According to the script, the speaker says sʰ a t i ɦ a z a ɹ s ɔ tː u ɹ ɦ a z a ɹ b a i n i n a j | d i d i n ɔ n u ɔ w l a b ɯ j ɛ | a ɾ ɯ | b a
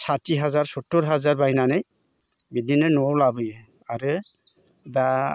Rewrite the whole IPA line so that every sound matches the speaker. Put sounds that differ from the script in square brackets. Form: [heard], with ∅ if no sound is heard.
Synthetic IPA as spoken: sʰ a t i ɦ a z a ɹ s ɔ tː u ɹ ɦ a z a ɹ b a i n [a] n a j | [b] i d i n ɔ n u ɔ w l a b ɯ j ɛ | a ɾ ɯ | b a

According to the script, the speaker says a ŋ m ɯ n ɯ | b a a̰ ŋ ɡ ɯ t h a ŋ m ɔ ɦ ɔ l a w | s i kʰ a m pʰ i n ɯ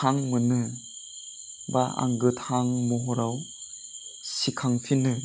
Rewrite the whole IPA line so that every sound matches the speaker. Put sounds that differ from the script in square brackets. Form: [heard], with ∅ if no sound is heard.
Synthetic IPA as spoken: a ŋ m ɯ n ɯ | b a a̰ ŋ ɡ ɯ t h a ŋ m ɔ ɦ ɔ [ɾ] a w | s i kʰ a [ŋ] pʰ i n ɯ

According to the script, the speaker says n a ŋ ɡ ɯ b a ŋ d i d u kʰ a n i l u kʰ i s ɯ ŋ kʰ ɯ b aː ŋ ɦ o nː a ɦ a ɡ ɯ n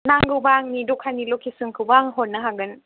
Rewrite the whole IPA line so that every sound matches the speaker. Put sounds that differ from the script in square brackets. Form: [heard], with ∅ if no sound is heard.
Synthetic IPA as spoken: n a ŋ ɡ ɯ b a ŋ [n] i d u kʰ a n i l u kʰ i s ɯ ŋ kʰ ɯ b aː ŋ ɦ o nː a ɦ a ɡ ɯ n

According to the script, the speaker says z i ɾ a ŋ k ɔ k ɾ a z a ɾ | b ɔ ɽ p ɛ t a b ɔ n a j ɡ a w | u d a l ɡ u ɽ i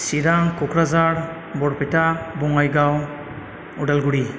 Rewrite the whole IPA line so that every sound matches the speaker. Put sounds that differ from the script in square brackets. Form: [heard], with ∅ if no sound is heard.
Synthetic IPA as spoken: [s] i ɾ a ŋ k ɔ k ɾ a z a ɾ | b ɔ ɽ p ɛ t a b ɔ [ŋ] a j ɡ a w | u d a l ɡ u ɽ i

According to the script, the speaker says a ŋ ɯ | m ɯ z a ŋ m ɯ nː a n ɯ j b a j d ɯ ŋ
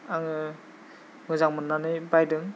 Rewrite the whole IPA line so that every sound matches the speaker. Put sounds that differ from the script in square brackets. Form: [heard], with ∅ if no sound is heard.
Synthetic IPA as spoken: a ŋ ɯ | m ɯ z a ŋ m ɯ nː a n ɯ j b a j d ɯ ŋ

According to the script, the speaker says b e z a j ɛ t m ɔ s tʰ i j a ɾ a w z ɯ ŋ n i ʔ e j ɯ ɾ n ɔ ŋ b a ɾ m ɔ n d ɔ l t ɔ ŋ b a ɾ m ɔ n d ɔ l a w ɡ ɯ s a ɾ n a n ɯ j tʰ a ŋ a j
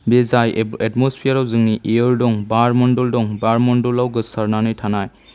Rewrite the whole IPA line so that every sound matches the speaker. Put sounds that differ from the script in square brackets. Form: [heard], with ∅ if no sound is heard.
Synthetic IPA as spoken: b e z a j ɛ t m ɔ s [pʰ] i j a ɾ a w z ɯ ŋ n i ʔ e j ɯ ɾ [d] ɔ ŋ b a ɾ m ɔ n d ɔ l [d] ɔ ŋ b a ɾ m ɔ n d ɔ l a w ɡ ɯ s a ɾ n a n ɯ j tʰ a [n] a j

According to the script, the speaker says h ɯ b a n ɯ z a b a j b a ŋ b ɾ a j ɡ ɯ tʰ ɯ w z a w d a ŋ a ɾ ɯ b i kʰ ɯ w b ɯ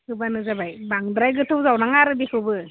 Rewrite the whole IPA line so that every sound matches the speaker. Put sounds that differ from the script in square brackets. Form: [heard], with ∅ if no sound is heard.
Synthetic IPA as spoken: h ɯ b a n ɯ z a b a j b a ŋ [d] ɾ a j ɡ ɯ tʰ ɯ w z a w [n] a ŋ a ɾ ɯ b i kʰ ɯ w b ɯ

